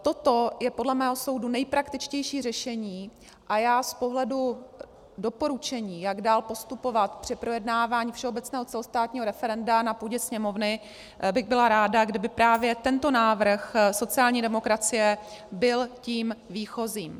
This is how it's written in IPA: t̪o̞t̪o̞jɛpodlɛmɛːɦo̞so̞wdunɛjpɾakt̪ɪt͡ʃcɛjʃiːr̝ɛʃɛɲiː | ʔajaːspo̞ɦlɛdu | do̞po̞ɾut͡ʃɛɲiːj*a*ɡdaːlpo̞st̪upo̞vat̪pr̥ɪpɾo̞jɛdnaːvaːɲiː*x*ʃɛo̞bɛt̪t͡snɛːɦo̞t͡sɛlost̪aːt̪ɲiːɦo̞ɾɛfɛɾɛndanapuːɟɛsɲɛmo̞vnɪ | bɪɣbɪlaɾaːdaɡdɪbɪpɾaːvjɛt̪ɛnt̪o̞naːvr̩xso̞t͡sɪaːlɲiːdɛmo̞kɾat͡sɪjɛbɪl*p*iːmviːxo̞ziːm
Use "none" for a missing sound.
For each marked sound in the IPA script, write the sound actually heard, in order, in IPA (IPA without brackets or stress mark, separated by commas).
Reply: a, f, c